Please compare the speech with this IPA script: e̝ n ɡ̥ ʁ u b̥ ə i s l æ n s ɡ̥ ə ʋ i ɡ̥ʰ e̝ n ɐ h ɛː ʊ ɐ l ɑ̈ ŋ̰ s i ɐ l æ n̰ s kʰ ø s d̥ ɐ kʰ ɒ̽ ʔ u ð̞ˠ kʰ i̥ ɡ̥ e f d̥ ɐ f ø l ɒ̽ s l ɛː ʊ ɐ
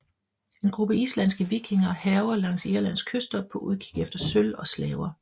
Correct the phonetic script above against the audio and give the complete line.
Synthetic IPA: e̝ n ɡ̥ ʁ u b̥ ə i s l æ n s ɡ̥ ə ʋ i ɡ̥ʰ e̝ ŋ ɐ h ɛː ʊ ɐ l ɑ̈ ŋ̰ s i ɐ l æ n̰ s kʰ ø s d̥ ɐ pʰ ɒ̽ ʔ u ð̞ˠ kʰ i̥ ɡ̥ e f d̥ ɐ s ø l ɒ̽ s l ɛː ʊ ɐ